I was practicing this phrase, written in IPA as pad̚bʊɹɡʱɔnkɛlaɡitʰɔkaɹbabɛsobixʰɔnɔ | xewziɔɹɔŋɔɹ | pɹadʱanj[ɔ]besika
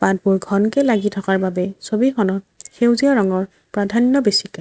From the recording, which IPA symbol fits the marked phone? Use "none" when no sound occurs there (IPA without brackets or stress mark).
ɔ